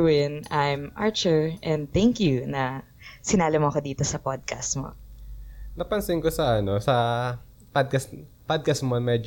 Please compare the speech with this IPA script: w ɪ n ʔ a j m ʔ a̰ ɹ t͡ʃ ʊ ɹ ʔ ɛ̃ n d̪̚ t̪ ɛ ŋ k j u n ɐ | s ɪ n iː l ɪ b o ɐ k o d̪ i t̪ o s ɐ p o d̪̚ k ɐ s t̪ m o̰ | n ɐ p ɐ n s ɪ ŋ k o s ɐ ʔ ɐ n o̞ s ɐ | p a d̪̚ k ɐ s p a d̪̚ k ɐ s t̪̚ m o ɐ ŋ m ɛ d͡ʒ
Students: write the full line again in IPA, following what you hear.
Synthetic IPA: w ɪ n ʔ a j m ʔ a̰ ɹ t͡ʃ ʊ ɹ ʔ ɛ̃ n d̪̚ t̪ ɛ ŋ k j u n ɐ | s ɪ n aː l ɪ m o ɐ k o d̪ iː t̪ o s ɐ p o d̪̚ k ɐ s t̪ m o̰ | n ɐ p ɐ n s ɪ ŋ k o s ɐ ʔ ɐ n o̞ s ɐ | p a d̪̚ k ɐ s p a d̪̚ k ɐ s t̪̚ m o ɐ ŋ m ɛ d͡ʒ